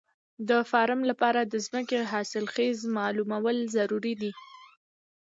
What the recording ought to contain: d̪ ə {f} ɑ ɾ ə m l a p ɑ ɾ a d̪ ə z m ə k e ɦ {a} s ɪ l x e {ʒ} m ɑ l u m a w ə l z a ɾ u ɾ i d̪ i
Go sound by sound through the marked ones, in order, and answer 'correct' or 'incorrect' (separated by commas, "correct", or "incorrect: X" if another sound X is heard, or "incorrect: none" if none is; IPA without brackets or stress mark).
correct, incorrect: ɑ, incorrect: z